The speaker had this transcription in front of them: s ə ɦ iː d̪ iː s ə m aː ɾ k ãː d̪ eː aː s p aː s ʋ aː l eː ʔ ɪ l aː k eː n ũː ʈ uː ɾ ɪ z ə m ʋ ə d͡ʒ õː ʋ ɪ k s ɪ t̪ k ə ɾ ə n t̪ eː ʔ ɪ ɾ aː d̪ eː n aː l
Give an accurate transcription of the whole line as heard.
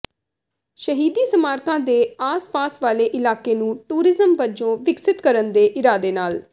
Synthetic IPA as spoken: ʃ ə ɦ iː d̪ iː s ə m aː ɾ k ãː d̪ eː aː s p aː s ʋ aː l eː ʔ ɪ l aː k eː n ũː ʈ uː ɾ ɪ z ə m ʋ ə d͡ʒ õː ʋ ɪ k s ɪ t̪ k ə ɾ ə n d̪ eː ʔ ɪ ɾ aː d̪ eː n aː l